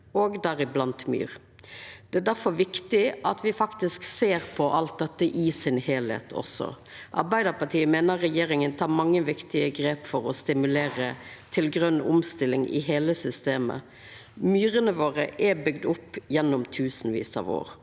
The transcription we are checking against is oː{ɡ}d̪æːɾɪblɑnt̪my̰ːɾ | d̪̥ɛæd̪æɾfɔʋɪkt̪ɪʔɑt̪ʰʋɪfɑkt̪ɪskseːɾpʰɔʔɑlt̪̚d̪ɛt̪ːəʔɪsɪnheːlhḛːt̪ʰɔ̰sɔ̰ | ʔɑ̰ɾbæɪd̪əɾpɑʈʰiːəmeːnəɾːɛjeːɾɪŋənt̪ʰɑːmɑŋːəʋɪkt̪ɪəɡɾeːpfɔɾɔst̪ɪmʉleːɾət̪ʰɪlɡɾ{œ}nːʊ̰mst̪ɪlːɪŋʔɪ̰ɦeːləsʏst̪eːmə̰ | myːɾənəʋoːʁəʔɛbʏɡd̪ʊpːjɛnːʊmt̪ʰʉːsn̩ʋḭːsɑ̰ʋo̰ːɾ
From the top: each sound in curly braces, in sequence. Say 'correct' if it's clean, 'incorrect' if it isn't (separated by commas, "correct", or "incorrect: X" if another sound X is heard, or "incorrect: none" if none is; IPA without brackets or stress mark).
correct, correct